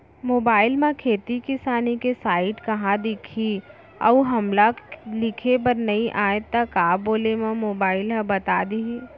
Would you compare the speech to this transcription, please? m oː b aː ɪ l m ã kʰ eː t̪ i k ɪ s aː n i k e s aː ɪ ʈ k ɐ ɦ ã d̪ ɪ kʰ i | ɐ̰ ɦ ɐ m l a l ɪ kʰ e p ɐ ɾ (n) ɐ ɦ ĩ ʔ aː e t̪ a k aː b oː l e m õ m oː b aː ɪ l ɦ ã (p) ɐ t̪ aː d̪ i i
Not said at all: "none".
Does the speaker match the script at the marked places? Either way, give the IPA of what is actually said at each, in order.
n, b

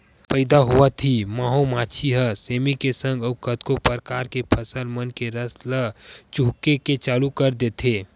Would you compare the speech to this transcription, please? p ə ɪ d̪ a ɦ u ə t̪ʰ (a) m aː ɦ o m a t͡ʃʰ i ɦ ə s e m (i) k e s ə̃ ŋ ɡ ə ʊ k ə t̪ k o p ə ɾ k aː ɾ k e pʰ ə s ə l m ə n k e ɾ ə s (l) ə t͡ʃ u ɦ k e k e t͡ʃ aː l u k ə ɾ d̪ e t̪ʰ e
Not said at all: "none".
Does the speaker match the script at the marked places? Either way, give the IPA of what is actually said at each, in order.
i, i, l

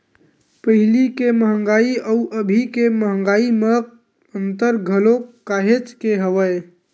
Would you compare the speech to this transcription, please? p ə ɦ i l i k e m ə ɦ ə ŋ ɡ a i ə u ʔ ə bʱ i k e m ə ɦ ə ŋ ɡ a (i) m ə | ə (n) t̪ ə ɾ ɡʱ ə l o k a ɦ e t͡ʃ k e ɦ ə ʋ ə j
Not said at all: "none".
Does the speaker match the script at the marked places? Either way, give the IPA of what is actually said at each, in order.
i, n

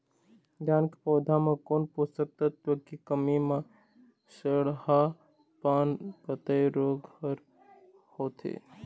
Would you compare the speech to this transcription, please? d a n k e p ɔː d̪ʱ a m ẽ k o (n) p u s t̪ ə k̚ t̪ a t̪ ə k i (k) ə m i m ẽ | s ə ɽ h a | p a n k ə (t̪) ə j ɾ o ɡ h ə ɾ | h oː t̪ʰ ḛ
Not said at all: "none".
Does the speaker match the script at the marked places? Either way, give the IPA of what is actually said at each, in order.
n, k, t̪

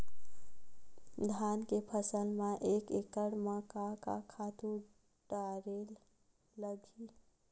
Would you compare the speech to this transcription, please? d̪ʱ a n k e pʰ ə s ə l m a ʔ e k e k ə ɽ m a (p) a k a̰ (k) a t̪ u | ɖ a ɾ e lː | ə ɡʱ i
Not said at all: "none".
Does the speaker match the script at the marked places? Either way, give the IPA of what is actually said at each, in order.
k, kʰ

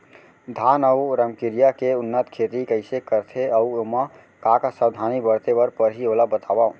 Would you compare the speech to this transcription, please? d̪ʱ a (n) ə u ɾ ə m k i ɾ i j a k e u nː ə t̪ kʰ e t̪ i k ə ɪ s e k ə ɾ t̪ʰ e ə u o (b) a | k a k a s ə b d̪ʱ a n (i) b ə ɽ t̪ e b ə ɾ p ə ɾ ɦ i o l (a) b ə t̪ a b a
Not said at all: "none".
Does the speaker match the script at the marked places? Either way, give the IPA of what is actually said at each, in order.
n, m, i, a

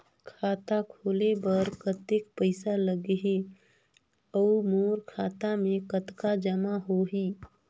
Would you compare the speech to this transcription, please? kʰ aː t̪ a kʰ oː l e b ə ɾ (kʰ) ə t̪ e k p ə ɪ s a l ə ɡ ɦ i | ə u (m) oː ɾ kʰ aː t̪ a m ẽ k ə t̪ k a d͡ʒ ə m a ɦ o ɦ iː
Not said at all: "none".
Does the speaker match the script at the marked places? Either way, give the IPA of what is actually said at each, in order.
k, m

